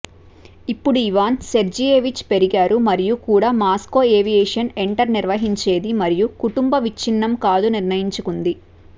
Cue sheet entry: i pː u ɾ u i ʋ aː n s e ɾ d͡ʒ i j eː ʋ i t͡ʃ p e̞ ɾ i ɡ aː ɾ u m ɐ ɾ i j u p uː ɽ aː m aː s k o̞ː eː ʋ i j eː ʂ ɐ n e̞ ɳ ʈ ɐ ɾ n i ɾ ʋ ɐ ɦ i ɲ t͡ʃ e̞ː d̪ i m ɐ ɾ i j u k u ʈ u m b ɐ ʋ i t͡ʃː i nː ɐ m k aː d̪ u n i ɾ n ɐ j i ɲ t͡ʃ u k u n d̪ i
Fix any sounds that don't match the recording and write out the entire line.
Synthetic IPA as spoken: i pː u ɽ u i ʋ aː n s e ɾ d͡ʒ i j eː ʋ i t͡ʃ p e̞ ɾ i ɡ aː ɾ u m ɐ ɾ i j u k uː ɽ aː m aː s k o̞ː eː ʋ i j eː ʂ ɐ n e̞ ɳ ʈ ɐ ɾ n i ɾ ʋ ɐ ɦ i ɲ t͡ʃ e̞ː d̪ i m ɐ ɾ i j u k u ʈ u m b ɐ ʋ i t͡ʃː i nː ɐ m k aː d̪ u n i ɾ n ɐ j i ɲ t͡ʃ u k u n d̪ i